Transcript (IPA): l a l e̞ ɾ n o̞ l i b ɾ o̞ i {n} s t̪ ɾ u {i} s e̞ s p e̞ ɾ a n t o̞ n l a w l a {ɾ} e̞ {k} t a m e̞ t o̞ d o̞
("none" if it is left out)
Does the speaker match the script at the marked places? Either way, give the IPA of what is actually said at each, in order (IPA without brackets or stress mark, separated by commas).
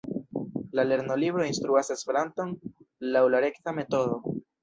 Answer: n, a, ɾ, k